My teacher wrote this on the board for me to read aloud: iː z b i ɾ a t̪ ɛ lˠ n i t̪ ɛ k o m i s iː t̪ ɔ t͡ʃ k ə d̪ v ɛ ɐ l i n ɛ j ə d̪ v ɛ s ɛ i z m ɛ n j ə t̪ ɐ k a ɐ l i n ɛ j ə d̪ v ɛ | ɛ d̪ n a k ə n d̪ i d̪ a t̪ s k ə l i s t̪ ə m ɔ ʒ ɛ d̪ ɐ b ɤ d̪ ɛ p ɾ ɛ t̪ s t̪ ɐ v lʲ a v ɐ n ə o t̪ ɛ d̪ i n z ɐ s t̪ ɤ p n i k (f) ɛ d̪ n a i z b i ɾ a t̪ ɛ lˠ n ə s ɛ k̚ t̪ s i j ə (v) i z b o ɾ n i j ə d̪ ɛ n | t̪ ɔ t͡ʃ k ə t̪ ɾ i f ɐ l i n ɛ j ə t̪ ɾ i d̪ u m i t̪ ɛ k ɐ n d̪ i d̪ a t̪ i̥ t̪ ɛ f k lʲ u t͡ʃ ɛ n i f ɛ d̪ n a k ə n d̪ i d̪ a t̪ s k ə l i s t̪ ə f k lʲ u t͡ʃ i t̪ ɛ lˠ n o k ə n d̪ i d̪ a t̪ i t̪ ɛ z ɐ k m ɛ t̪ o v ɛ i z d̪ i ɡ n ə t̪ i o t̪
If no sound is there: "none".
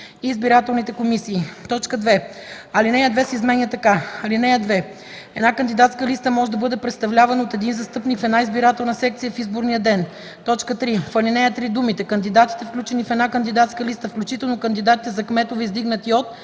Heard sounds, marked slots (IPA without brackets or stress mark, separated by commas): f, f